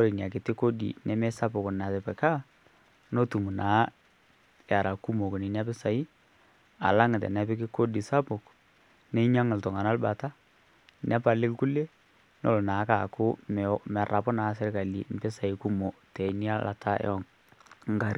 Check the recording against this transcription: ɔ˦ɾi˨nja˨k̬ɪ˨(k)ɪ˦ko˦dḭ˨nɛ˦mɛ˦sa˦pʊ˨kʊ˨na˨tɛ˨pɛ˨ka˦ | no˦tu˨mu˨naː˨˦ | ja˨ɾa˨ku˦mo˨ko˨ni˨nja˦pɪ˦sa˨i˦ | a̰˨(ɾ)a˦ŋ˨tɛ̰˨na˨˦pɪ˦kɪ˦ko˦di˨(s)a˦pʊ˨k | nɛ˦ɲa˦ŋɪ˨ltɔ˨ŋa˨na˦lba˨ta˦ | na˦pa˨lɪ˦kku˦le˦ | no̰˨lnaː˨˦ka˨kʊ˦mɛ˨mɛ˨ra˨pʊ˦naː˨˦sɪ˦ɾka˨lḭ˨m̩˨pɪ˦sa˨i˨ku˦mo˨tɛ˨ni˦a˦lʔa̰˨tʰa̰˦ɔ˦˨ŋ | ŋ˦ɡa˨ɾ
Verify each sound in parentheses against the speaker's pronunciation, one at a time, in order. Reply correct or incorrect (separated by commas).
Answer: incorrect, incorrect, correct